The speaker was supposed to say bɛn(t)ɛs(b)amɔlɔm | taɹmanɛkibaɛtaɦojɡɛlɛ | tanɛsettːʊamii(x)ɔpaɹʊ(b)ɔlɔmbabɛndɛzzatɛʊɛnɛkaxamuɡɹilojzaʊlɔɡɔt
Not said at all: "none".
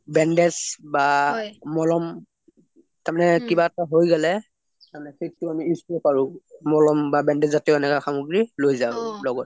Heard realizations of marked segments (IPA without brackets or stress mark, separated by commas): d, b, s, m